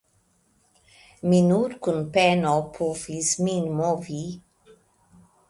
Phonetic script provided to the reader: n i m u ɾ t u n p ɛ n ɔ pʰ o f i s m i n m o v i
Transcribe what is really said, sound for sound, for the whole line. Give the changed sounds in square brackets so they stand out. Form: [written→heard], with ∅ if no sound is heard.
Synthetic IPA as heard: [n→m] i [m→n] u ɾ [t→k] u n p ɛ n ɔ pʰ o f i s m i n m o v i